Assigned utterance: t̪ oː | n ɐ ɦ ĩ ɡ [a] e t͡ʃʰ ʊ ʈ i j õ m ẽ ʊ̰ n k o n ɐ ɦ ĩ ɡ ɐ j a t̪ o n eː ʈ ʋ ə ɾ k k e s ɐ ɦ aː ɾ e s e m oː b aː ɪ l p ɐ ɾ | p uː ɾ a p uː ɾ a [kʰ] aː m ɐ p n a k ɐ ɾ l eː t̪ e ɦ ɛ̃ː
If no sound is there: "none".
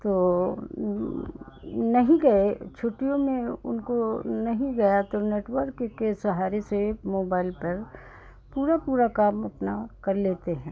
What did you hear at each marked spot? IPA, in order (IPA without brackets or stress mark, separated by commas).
ɐ, k